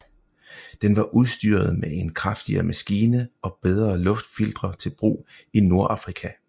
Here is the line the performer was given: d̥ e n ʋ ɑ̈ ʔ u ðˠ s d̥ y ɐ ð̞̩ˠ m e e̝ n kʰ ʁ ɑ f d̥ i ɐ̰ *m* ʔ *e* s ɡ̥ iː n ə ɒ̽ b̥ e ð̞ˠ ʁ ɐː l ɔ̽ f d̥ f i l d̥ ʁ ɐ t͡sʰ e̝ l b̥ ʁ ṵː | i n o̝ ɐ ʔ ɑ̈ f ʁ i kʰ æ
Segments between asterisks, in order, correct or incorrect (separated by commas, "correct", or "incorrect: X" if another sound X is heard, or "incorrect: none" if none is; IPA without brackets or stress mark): correct, incorrect: æ